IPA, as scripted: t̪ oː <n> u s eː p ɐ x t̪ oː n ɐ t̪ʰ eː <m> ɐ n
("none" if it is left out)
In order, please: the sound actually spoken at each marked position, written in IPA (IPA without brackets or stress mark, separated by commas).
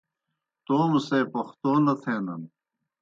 m, n